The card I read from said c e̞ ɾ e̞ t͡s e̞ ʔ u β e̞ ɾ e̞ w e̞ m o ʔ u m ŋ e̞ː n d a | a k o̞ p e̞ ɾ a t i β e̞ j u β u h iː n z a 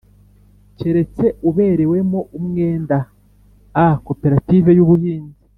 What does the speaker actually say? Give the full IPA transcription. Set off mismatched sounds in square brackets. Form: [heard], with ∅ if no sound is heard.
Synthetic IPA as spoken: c e̞ ɾ e̞ t͡s e̞ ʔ u β e̞ ɾ e̞ w e̞ m o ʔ u m ŋ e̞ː n d a | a k o̞ p e̞ ɾ a t i [v] e̞ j u β u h iː n z [i]